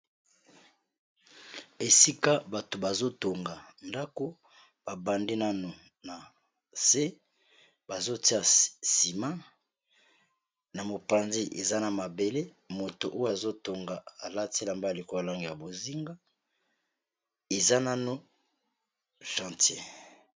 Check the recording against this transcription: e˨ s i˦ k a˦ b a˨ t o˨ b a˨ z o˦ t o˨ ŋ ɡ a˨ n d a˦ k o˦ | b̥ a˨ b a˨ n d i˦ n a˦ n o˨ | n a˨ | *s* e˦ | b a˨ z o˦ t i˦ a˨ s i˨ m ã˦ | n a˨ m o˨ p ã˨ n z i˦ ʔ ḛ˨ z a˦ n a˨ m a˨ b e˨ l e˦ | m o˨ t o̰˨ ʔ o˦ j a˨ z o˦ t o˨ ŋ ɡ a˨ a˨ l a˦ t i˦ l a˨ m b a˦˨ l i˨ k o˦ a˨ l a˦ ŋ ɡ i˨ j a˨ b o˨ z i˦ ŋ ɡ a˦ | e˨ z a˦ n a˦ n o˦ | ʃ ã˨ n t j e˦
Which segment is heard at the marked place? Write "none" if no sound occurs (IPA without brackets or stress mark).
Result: s